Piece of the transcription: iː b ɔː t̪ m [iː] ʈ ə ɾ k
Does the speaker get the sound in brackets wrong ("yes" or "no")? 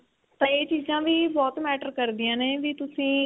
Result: yes